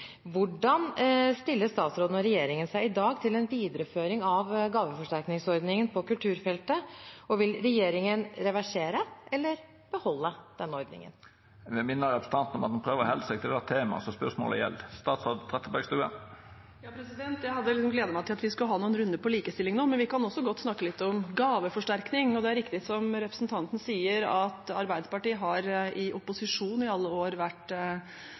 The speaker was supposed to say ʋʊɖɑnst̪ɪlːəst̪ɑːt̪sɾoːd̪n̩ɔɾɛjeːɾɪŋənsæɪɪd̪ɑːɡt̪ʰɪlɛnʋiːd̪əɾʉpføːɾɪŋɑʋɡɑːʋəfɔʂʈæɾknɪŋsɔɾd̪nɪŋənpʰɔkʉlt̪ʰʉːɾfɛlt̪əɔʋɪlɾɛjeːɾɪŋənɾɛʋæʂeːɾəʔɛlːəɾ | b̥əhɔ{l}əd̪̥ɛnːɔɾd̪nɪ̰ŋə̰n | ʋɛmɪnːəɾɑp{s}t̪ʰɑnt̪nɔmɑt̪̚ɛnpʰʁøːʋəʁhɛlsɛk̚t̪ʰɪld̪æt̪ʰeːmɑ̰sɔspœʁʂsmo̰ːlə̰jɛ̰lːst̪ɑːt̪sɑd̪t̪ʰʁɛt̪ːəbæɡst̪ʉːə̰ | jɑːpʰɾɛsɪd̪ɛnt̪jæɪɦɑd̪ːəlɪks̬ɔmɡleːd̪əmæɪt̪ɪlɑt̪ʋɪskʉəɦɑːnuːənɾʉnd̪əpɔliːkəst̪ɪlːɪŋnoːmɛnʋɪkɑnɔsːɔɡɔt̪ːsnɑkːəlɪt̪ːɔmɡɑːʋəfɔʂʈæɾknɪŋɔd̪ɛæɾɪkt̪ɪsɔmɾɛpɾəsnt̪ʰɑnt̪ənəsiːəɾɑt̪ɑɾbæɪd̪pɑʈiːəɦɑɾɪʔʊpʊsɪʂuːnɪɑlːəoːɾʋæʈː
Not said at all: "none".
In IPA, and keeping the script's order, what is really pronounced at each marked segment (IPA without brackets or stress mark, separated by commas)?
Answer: lː, s